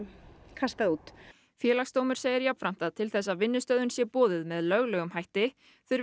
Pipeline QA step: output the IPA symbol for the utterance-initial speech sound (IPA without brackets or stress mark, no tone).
kʰ